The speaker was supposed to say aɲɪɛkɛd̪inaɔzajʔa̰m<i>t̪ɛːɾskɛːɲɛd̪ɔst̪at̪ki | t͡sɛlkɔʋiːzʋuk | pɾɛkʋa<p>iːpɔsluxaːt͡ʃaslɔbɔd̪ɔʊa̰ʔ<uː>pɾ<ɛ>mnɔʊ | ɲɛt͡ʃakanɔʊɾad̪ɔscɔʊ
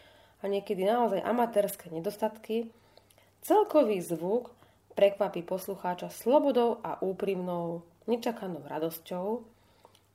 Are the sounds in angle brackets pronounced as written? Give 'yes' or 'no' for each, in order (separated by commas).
no, yes, yes, no